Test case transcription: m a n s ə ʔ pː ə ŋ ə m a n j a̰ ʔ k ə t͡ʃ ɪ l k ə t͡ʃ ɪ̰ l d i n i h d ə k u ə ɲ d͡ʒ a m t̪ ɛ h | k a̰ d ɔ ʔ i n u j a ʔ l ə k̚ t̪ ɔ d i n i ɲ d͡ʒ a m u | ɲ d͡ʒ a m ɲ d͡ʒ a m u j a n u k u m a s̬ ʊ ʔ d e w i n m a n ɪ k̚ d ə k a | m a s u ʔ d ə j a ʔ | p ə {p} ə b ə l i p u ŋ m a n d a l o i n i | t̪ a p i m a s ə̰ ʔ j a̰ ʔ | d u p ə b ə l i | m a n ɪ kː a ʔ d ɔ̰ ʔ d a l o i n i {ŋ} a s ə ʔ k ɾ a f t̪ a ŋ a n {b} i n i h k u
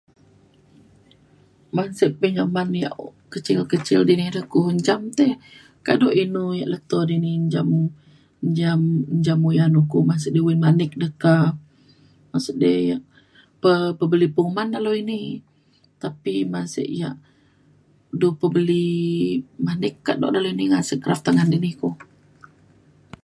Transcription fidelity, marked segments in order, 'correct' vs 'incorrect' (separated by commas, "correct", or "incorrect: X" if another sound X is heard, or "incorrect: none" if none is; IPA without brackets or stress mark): correct, correct, incorrect: d